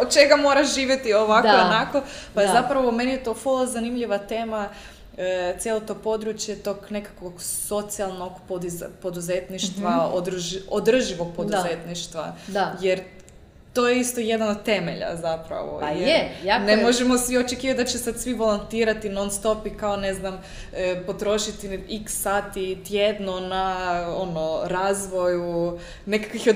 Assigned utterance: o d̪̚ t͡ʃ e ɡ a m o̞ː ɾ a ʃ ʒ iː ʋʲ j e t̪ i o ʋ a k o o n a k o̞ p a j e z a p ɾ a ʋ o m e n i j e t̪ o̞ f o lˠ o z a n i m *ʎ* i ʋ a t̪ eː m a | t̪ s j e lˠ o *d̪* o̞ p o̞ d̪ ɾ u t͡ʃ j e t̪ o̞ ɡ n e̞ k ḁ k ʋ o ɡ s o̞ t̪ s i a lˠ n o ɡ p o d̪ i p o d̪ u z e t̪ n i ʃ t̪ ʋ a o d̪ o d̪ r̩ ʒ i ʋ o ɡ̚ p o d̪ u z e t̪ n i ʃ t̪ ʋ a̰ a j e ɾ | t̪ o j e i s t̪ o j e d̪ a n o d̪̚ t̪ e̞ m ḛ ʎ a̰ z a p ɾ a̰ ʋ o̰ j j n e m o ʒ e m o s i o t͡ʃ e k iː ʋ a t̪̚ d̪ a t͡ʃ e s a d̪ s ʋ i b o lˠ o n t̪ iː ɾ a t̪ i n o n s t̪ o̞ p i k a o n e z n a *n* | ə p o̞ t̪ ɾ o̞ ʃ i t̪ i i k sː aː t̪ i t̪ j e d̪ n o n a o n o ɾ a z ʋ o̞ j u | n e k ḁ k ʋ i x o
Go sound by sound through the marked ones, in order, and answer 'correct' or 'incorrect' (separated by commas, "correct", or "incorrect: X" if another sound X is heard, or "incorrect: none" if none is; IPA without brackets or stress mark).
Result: correct, incorrect: t̪, incorrect: m